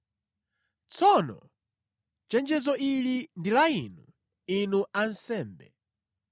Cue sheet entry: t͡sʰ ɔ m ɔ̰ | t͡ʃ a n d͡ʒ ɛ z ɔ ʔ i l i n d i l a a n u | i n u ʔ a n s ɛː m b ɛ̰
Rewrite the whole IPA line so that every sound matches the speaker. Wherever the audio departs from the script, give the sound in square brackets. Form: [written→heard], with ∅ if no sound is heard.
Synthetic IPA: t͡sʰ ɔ [m→n] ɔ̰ | t͡ʃ [a→ɛ] n d͡ʒ ɛ z ɔ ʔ i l i n d i l a [a→i] n u | i n u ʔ a n s ɛː m b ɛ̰